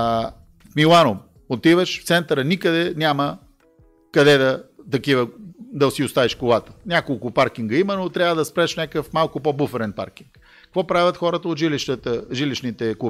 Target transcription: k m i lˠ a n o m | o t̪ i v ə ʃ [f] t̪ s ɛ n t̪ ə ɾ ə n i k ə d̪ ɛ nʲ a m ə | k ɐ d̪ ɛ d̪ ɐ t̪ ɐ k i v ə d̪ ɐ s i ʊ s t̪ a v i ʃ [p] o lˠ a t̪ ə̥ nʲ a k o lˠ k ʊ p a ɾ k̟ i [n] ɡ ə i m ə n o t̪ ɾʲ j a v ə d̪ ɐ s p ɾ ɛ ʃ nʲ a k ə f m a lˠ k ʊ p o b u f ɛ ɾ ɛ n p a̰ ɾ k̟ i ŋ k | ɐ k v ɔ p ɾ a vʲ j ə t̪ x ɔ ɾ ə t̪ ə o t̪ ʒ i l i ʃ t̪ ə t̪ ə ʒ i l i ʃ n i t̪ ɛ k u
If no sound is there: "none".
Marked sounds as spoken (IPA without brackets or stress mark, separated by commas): f, k, ŋ